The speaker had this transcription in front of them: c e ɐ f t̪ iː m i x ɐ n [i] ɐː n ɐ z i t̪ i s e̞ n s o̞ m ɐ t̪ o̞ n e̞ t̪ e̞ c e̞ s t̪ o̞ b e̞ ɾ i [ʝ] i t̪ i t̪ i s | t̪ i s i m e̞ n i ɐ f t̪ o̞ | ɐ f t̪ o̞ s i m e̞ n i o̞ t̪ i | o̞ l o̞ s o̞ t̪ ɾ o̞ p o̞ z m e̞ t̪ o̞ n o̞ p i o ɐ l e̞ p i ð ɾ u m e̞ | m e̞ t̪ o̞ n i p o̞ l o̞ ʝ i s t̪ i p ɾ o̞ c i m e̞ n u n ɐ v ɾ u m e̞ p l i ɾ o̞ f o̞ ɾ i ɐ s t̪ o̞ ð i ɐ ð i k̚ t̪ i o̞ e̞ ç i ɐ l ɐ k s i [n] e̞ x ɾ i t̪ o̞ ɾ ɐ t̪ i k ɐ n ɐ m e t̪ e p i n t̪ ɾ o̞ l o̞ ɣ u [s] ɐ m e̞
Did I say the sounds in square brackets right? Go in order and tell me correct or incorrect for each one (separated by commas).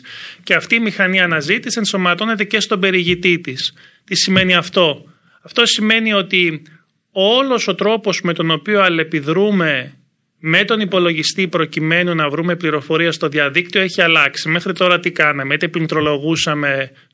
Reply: correct, correct, incorrect, correct